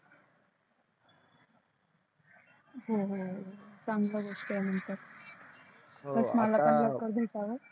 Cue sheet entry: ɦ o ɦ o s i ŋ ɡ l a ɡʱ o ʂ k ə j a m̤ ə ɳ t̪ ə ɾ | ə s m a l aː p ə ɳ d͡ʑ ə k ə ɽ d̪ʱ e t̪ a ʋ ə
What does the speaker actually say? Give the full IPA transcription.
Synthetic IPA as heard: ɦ o ɦ o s a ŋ ɡ l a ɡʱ o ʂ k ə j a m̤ ə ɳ t̪ ə ɾ | ə s m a l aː p ə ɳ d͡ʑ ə k ə ɾ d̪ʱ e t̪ a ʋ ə